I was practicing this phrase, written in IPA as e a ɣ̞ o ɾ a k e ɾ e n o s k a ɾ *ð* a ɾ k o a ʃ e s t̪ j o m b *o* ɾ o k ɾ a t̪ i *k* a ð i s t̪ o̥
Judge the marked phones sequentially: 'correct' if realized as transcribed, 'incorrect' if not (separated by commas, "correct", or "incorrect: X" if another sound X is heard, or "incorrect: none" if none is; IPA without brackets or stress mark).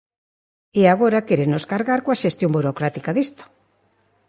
incorrect: ɣ, incorrect: u, correct